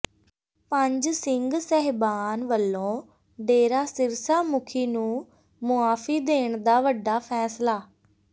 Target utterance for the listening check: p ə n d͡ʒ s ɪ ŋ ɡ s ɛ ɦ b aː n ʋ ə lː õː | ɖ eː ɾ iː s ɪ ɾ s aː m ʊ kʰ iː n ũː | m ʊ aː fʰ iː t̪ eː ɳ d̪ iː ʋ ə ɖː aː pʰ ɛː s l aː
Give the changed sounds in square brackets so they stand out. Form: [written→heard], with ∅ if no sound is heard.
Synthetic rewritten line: p ə [n→ɲ] d͡ʒ s ɪ ŋ ɡ s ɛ ɦ b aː n ʋ ə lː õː | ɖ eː ɾ [iː→aː] s ɪ ɾ s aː m ʊ kʰ iː n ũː | m ʊ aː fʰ iː [t̪→d̪] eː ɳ d̪ [iː→aː] ʋ ə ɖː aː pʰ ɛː s l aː

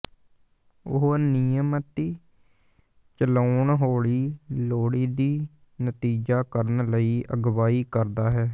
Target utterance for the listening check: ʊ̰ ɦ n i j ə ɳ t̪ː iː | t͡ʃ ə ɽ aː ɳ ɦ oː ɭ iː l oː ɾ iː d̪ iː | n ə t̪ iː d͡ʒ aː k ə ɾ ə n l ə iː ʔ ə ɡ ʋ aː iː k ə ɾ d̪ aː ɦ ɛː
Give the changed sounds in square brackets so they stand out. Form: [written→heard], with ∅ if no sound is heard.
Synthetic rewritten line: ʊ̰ ɦ n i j ə [ɳ→m] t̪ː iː | t͡ʃ ə [ɽ→l] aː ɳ ɦ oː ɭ iː l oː [ɾ→ɽ] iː d̪ iː | n ə t̪ iː d͡ʒ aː k ə ɾ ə n l ə iː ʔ ə ɡ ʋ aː iː k ə ɾ d̪ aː ɦ ɛː

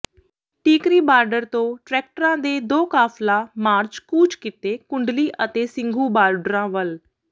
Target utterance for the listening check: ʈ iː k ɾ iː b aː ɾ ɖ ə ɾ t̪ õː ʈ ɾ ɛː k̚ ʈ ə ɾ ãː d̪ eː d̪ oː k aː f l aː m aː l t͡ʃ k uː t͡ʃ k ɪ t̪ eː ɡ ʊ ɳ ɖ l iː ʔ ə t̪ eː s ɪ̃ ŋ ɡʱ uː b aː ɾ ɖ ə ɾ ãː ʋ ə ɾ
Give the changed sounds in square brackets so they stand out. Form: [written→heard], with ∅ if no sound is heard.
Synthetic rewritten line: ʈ iː k ɾ iː b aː ɾ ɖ ə ɾ t̪ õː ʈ ɾ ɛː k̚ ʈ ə ɾ ãː d̪ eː d̪ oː k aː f l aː m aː [l→ɾ] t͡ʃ k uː t͡ʃ k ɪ t̪ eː [ɡ→k] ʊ ɳ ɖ l iː ʔ ə t̪ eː s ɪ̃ ŋ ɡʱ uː b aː ɾ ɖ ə ɾ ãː ʋ ə [ɾ→l]

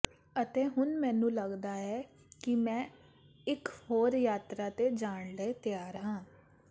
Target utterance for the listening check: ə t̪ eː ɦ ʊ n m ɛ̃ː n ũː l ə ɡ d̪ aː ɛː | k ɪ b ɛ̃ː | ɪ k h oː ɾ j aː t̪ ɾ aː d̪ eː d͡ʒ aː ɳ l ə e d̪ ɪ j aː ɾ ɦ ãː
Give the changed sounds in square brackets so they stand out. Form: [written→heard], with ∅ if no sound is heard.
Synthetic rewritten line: ə t̪ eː ɦ ʊ n m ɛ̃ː n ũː l ə ɡ d̪ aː ɛː | k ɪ [b→m] ɛ̃ː | ɪ k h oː ɾ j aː t̪ ɾ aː [d̪→t̪] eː d͡ʒ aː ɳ l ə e [d̪→t̪] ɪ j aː ɾ ɦ ãː

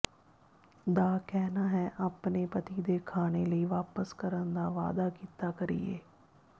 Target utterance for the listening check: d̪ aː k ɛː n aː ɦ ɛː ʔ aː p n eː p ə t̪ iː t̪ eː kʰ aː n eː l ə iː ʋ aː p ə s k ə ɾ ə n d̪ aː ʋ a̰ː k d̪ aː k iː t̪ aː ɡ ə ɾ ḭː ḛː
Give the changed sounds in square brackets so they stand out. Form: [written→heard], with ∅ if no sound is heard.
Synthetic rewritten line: d̪ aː k ɛː n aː ɦ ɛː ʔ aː p n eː p ə t̪ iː [t̪→d̪] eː kʰ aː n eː l ə iː ʋ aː p ə s k ə ɾ ə n d̪ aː ʋ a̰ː [k→∅] d̪ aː k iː t̪ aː [ɡ→k] ə ɾ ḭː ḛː

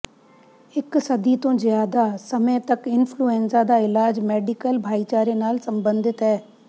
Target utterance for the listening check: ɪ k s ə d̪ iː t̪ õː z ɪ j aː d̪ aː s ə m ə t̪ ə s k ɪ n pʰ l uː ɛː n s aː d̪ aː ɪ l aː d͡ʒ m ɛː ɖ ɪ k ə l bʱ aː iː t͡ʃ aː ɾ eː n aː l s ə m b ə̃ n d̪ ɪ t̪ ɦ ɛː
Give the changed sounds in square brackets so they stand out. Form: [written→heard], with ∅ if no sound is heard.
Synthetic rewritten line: ɪ k s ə d̪ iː t̪ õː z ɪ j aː d̪ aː s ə m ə t̪ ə [s→∅] k ɪ n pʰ l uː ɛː n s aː d̪ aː ɪ l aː d͡ʒ m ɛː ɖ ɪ k ə l bʱ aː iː t͡ʃ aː ɾ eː n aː l s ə m b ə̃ n d̪ ɪ t̪ ɦ ɛː

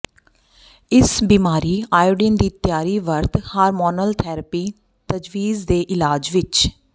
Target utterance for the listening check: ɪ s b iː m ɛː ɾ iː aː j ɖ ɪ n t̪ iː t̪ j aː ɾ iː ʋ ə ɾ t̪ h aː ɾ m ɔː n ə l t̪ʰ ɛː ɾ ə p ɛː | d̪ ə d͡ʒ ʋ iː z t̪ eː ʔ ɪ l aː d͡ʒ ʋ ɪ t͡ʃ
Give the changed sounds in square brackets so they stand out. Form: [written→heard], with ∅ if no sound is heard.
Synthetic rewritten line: ɪ s b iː m [ɛː→aː] ɾ iː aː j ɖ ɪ n [t̪→d̪] iː t̪ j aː ɾ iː ʋ ə ɾ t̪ h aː ɾ m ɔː n ə l t̪ʰ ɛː ɾ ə p [ɛː→iː] | [d̪→t̪] ə d͡ʒ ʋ iː z [t̪→d̪] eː ʔ ɪ l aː d͡ʒ ʋ ɪ t͡ʃ

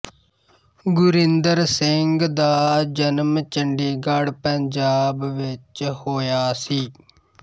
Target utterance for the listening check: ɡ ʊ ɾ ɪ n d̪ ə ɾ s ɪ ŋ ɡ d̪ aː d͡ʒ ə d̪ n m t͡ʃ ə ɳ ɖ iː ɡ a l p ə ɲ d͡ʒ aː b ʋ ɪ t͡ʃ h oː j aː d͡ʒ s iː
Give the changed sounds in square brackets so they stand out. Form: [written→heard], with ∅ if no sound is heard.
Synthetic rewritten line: ɡ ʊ ɾ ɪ n d̪ ə ɾ s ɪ ŋ ɡ d̪ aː d͡ʒ ə [d̪→∅] n m t͡ʃ ə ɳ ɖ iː ɡ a [l→ɽ] p ə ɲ d͡ʒ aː b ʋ ɪ t͡ʃ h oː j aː [d͡ʒ→∅] s iː

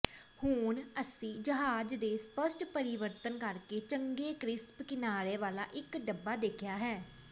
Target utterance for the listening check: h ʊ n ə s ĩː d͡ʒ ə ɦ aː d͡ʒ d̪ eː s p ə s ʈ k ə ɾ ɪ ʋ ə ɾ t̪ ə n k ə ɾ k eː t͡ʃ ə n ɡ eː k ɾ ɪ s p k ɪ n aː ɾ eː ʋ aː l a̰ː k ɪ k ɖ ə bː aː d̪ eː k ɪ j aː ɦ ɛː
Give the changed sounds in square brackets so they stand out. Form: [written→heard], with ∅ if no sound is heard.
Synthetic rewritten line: h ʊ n ə s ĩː d͡ʒ ə ɦ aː d͡ʒ d̪ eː s p ə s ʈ [k→p] ə ɾ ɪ ʋ ə ɾ t̪ ə n k ə ɾ k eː t͡ʃ ə [n→ŋ] ɡ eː k ɾ ɪ s p k ɪ n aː ɾ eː ʋ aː l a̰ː [k→ʔ] ɪ k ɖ ə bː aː d̪ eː [k→kʰ] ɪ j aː ɦ ɛː

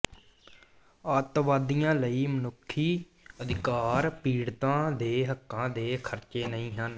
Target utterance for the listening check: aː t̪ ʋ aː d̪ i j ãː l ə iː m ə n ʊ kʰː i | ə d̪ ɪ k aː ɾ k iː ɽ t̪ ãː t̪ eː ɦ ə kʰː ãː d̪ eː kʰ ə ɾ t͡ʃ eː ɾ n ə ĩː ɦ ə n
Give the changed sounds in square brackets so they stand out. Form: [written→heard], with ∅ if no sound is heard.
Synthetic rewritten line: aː t̪ ʋ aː d̪ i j ãː l ə iː m ə n ʊ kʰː [i→iː] | ə d̪ ɪ k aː ɾ [k→p] iː ɽ t̪ ãː [t̪→d̪] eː ɦ ə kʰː ãː d̪ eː kʰ ə ɾ t͡ʃ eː [ɾ→∅] n ə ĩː ɦ ə n

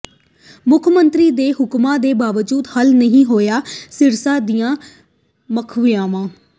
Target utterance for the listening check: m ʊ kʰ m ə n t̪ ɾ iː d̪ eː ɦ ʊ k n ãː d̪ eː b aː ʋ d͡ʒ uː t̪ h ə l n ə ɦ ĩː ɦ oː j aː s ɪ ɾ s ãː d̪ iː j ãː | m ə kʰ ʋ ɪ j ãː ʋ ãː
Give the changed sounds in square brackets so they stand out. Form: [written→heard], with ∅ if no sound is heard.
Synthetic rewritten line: m ʊ kʰ m ə n t̪ ɾ iː d̪ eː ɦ ʊ k [n→m] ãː d̪ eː b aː ʋ d͡ʒ uː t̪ h ə l n ə ɦ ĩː ɦ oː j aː s ɪ ɾ s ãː d̪ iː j ãː | m ə kʰ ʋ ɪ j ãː ʋ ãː

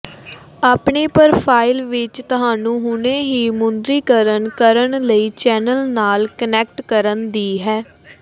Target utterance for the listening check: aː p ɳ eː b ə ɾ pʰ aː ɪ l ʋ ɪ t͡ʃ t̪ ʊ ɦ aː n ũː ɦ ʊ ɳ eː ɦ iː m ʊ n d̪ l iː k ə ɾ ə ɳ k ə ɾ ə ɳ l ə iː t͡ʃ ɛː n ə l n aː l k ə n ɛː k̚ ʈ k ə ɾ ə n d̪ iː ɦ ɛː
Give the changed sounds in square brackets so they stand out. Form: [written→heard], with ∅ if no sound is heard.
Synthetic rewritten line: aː p ɳ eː [b→p] ə ɾ pʰ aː ɪ l ʋ ɪ t͡ʃ t̪ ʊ ɦ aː n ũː ɦ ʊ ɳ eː ɦ iː m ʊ n d̪ [l→ɾ] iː k ə ɾ ə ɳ k ə ɾ ə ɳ l ə iː t͡ʃ ɛː n ə l n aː l k ə n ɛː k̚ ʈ k ə ɾ ə n d̪ iː ɦ ɛː

